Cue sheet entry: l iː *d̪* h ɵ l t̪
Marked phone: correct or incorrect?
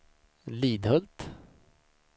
correct